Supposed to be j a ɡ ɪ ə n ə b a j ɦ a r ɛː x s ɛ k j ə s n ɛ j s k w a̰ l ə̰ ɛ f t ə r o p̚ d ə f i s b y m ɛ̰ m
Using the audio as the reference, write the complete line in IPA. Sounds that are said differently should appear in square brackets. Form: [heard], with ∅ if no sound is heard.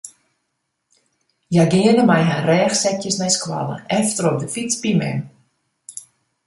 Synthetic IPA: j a ɡ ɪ ə n ə [m] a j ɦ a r ɛː x s ɛ k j ə s n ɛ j s k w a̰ l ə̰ ɛ f t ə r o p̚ d ə f i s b [i] m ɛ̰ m